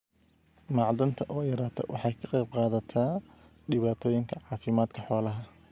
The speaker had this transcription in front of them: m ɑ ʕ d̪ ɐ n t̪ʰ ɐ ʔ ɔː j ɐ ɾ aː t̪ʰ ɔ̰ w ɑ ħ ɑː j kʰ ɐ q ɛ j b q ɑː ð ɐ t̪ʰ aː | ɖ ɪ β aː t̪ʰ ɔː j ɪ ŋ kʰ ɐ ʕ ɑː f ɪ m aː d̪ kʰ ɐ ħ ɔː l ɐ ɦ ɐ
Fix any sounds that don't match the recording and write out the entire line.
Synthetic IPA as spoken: m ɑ ʕ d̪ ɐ n t̪ʰ ɐ ʔ ɔː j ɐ ɾ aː t̪ʰ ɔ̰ w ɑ ħ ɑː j kʰ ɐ q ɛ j b q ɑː ð ɐ t̪ʰ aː | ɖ ɪ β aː t̪ʰ ɔː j ɪ ŋ kʰ ɐ ʕ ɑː f ɪ m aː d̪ kʰ ɐ ħ ɔː l ɐ ɦ ɐ